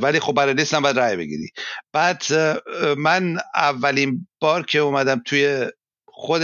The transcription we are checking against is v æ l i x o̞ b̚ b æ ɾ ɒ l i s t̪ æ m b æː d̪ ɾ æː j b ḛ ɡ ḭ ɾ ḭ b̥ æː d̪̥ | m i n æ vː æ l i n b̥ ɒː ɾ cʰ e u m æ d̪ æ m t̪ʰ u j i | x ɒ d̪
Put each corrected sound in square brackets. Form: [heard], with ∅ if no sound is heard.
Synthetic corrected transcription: v æ l i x o̞ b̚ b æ ɾ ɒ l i s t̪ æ m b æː d̪ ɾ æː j b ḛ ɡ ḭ ɾ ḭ b̥ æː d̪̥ | m [æ] n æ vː æ l i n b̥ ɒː ɾ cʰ e u m æ d̪ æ m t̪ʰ u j [e] | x [o] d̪